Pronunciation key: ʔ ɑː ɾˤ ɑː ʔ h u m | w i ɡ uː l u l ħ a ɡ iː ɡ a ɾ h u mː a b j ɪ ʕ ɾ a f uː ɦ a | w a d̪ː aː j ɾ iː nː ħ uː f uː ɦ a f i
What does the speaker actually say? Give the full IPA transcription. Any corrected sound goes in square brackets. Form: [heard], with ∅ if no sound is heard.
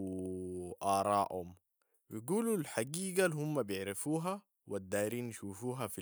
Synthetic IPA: ʔ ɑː ɾˤ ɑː ʔ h u m | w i ɡ uː l u l ħ a ɡ iː ɡ a [l] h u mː a b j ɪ ʕ ɾ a f uː ɦ a | w a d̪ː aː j ɾ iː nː [ʃ] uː f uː ɦ a f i

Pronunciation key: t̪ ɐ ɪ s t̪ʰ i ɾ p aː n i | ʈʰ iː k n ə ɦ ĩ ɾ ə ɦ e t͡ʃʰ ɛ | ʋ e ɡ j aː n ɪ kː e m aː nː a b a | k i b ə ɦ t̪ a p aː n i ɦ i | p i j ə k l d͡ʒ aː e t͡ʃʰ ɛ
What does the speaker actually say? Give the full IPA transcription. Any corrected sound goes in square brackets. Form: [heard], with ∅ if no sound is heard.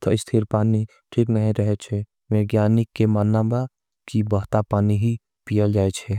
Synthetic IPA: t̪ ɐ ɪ s t̪ʰ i ɾ p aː n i | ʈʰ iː k n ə ɦ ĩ ɾ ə ɦ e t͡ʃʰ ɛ | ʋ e ɡ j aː n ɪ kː e m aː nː a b a | k i b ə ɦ t̪ a p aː n i ɦ i | p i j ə [∅] l d͡ʒ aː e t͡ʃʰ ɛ

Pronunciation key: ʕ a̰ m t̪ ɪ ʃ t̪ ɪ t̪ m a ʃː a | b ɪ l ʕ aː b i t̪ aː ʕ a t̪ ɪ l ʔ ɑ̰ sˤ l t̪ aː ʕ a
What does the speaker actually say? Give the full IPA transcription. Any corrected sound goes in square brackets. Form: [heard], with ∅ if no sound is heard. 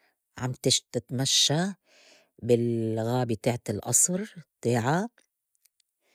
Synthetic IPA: ʕ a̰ m t̪ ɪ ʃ t̪ ɪ t̪ m a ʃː a | b ɪ l [ɣ] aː b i t̪ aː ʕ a t̪ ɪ l ʔ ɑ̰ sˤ [ɾ] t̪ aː ʕ a

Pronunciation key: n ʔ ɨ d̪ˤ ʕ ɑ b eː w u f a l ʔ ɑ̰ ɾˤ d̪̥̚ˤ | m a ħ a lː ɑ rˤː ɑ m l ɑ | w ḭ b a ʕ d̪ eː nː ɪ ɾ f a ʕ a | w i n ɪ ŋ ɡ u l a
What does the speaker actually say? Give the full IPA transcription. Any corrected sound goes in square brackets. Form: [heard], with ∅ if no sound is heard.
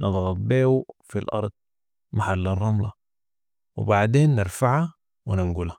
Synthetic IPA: n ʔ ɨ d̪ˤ [ɣ] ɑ b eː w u f [i] l ʔ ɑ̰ ɾˤ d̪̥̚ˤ | m a ħ a lː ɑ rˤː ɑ m l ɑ | w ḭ b a ʕ d̪ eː nː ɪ ɾ f a ʕ a | w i n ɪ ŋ ɡ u l a

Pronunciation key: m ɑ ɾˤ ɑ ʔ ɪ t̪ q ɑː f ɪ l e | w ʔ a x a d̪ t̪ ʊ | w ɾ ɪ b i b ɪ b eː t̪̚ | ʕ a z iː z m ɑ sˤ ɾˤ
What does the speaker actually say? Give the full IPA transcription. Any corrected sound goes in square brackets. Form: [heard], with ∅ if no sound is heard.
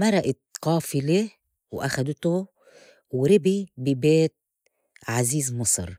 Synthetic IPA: m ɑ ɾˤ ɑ ʔ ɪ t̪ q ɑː f ɪ l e | w ʔ a x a d̪ t̪ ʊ | w ɾ ɪ b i b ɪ b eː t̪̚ | ʕ a z iː z m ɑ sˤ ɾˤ

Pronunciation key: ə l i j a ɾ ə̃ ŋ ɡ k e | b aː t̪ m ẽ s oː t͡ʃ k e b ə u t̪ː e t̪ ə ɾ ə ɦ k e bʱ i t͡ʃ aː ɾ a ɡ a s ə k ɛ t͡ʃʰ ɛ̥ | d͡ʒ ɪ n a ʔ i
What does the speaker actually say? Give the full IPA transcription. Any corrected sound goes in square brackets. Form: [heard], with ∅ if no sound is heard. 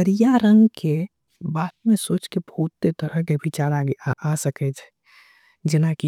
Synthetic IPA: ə [ɾ] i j a ɾ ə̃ ŋ ɡ k e | b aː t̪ m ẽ s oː t͡ʃ k e b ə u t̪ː e t̪ ə ɾ ə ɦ k e bʱ i t͡ʃ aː ɾ a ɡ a s ə k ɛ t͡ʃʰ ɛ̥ | d͡ʒ ɪ n a [k] i

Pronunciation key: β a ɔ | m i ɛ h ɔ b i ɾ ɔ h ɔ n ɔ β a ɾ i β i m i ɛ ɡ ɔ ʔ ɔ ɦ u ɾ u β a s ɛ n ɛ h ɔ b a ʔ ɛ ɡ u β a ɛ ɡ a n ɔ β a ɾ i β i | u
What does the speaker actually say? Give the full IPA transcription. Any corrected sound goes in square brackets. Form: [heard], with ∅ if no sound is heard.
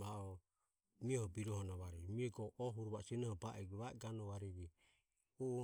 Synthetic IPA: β a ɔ | m i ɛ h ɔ b i ɾ ɔ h ɔ n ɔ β a ɾ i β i m i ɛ ɡ ɔ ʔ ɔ ɦ u ɾ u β a s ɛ n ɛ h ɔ b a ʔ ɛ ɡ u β a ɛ ɡ a n ɔ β a ɾ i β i | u

